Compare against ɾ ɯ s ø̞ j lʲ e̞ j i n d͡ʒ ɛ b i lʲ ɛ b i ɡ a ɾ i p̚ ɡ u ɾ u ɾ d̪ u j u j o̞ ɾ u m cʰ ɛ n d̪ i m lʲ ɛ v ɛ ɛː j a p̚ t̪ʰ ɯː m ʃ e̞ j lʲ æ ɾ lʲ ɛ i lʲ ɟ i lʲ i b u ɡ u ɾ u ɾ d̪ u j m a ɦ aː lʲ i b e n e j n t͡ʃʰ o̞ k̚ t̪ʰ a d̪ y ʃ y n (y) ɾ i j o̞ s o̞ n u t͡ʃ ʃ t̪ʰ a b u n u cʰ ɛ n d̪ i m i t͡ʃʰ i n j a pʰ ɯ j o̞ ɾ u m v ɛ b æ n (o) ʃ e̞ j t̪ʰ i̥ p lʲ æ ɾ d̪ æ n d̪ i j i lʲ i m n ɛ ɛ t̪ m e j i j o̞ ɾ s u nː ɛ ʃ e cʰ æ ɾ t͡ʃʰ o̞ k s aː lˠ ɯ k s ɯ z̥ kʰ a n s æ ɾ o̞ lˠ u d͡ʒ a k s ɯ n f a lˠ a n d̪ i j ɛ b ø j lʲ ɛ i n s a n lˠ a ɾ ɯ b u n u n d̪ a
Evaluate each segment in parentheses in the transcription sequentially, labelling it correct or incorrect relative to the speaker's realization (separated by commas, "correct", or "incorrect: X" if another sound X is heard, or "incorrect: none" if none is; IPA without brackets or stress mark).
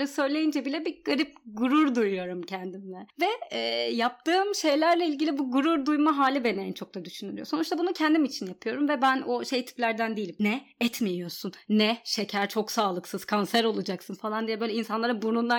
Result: correct, correct